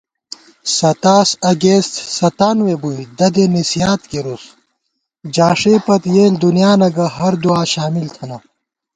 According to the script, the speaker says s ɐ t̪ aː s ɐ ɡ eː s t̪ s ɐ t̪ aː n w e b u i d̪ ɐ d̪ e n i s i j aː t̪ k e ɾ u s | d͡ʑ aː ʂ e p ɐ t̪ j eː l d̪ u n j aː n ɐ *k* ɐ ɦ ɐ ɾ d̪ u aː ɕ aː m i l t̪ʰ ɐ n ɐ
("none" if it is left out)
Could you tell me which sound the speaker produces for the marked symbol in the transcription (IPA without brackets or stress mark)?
ɡ